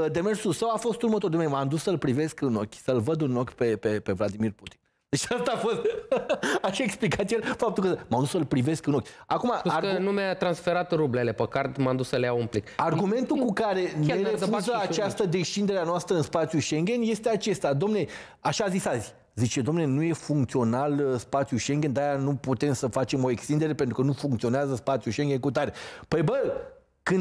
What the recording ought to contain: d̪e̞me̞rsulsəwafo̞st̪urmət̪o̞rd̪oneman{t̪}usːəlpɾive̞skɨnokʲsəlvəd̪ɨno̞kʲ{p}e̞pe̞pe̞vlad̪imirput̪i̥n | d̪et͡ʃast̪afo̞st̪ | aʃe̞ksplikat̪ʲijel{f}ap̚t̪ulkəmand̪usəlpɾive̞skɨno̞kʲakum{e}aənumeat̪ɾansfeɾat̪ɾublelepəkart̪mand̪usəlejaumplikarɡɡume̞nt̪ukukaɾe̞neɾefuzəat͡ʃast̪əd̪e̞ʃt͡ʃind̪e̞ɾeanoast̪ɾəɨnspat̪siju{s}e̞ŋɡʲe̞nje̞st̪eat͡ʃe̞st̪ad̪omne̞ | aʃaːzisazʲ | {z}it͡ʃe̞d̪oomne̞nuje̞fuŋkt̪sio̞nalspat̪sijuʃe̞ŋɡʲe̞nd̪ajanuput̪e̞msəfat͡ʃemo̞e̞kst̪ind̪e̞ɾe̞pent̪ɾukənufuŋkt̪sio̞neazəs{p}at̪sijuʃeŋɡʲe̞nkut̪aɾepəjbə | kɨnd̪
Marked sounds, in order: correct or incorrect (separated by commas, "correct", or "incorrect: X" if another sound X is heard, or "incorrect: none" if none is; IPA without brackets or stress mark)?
incorrect: d̪, correct, correct, incorrect: a, incorrect: ʃ, correct, correct